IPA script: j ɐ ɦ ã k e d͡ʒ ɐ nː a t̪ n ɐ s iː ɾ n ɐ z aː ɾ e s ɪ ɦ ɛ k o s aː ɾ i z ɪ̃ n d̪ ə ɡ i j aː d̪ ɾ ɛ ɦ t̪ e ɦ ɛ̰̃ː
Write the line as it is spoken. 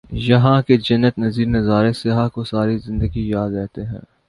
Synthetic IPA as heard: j ɐ ɦ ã k e d͡ʒ ɐ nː ə t̪ n ɐ z iː ɾ n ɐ z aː ɾ e s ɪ ɦ a k o s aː ɾ i z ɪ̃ n d̪ ə ɡ i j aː d̪ ɾ ɛ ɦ t̪ e ɦ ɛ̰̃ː

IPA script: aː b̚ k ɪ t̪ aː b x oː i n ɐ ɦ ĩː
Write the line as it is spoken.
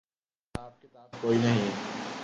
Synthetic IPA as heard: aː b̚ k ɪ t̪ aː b k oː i n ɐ ɦ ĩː

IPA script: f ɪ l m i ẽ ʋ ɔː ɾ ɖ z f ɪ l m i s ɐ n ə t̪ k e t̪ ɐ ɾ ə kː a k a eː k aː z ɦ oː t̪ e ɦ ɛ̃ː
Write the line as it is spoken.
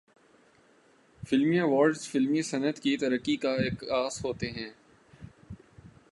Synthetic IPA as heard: f ɪ l m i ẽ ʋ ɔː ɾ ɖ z f ɪ l m i s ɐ n ə t̪ k i t̪ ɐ ɾ ə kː i k a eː k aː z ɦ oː t̪ e ɦ ɛ̃ː

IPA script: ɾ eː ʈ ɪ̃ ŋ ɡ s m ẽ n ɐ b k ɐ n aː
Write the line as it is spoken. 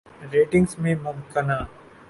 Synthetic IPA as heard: ɾ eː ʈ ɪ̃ ŋ ɡ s m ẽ m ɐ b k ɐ n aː

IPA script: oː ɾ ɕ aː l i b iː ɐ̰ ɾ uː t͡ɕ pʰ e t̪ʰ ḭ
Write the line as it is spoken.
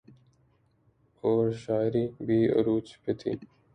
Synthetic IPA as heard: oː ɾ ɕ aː ɾ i b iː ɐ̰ ɾ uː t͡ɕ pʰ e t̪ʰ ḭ

